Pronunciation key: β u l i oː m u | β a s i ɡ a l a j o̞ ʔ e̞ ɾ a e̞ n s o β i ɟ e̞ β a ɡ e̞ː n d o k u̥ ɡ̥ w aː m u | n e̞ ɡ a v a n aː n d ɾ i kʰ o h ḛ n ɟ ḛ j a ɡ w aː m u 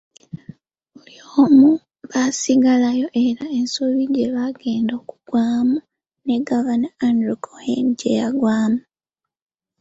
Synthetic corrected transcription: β u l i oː m u | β a s i ɡ a l a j o̞ ʔ e̞ ɾ a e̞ n s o β i ɟ e̞ β a ɡ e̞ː n d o k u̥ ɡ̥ w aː m u | n e̞ ɡ a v a n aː n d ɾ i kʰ o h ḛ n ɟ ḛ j a ɡ w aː m u